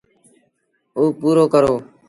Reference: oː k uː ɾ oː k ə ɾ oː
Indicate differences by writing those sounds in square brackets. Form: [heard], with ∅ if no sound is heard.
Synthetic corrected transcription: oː [p] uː ɾ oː k ə ɾ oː